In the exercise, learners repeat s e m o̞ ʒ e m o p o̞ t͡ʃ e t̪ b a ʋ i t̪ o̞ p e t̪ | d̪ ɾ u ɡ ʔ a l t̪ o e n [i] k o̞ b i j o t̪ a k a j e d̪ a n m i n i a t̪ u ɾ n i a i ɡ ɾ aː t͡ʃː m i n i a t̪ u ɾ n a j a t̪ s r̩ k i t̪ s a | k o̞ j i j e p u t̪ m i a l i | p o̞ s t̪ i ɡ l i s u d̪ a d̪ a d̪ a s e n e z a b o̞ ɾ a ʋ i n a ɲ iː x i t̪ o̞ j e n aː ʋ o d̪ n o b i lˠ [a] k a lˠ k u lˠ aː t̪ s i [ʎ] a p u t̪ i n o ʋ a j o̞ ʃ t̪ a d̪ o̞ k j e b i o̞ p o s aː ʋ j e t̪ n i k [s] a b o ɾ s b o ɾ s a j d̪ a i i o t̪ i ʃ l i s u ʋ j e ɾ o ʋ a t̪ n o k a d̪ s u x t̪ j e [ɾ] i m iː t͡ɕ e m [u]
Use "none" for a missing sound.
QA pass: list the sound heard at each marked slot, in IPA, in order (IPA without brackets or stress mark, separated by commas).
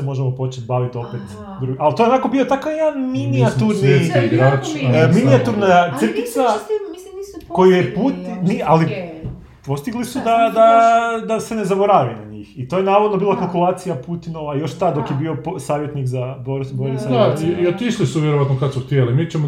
a, a, j, z, l, o